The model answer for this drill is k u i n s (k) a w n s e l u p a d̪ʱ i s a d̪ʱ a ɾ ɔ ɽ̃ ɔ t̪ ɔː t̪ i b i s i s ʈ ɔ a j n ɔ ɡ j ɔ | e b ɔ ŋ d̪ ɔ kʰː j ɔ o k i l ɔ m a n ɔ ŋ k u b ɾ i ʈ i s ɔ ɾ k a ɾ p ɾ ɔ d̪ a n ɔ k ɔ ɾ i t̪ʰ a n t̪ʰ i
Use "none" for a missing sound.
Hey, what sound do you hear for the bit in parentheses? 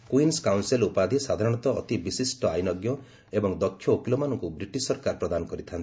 k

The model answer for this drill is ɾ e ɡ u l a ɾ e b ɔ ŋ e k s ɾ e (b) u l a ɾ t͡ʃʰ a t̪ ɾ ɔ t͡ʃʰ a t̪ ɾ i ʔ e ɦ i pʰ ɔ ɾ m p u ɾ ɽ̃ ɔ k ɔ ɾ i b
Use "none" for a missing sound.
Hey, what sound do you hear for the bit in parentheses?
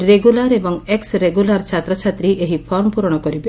ɡ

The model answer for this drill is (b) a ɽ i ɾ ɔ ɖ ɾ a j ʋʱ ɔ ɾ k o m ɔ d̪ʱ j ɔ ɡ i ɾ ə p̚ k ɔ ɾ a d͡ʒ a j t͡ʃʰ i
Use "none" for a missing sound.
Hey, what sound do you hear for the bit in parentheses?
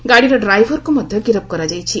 ɡ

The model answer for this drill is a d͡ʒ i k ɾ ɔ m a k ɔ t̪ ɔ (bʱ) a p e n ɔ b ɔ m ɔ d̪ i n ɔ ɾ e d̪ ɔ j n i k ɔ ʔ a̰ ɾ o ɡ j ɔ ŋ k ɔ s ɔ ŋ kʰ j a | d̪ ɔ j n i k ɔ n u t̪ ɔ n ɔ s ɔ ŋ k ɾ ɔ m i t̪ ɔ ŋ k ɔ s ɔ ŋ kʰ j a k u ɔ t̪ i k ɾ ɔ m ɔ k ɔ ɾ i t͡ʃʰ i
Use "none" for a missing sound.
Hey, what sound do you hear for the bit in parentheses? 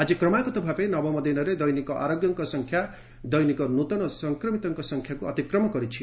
bʱ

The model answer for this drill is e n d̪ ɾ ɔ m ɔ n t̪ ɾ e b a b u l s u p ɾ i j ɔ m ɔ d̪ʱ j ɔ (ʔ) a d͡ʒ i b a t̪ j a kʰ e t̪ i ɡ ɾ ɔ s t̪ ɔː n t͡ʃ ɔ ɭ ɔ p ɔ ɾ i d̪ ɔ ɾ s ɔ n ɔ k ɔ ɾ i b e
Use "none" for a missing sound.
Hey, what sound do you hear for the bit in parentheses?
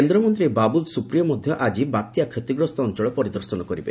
ʔ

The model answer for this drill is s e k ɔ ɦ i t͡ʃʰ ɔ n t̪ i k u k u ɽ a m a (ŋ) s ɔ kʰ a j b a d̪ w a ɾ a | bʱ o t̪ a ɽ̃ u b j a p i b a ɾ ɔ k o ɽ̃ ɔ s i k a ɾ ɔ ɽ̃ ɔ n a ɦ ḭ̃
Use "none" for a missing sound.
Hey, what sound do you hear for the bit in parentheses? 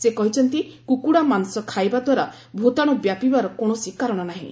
n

